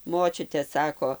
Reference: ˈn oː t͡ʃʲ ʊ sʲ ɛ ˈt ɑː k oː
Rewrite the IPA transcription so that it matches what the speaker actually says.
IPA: ˈm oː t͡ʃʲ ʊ tʲ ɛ ˈs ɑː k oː

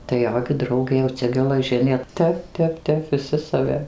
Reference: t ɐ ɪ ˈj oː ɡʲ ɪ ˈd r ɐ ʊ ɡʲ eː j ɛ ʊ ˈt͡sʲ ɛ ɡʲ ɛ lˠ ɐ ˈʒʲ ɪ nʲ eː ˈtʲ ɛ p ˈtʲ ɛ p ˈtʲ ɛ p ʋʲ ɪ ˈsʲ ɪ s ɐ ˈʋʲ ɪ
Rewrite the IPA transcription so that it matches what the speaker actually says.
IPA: t ɐ ɪ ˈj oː ɡʲ ɪ ˈd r ɐ ʊ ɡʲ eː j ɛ ʊ ˈt͡sʲ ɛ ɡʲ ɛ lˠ ɐ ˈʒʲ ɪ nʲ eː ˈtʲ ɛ p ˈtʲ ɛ p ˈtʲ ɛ p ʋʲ ɪ ˈsʲ ɪ s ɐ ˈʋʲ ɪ

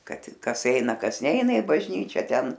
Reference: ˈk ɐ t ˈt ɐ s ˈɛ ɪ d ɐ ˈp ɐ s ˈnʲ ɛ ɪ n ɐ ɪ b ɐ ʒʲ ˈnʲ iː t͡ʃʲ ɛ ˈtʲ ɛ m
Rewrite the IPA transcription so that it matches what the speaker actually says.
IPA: ˈk ɐ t ˈk ɐ s ˈɛ ɪ n ɐ ˈk ɐ s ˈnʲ ɛ ɪ n ɐ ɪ b ɐ ʒʲ ˈnʲ iː t͡ʃʲ ɛ ˈtʲ ɛ n

